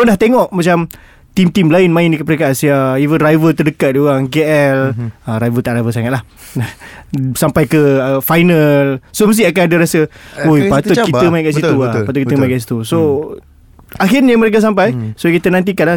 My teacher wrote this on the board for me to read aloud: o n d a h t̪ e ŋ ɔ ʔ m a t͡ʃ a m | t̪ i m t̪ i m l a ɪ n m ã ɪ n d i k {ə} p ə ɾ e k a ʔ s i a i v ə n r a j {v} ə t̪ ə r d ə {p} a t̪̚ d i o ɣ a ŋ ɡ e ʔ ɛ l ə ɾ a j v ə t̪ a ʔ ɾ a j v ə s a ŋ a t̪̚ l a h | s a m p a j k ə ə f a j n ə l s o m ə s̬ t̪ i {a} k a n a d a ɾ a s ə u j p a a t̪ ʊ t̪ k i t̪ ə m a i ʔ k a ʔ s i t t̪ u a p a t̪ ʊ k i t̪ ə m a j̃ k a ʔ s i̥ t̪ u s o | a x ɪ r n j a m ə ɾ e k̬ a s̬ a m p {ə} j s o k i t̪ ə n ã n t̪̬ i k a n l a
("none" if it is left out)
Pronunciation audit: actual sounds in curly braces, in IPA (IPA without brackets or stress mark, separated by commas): ə, v, k, a, a